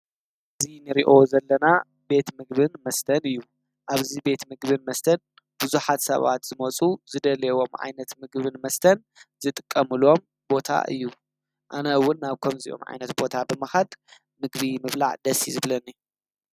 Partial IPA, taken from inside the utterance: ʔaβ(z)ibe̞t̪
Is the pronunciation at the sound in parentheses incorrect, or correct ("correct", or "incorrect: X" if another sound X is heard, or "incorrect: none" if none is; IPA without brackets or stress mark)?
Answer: correct